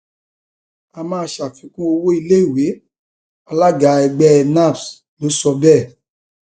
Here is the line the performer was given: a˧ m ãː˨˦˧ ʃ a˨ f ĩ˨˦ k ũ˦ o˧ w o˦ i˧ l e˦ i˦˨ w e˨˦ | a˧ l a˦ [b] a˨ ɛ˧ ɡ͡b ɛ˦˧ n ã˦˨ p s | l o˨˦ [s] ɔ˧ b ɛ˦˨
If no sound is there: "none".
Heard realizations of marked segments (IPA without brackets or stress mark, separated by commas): ɡ, s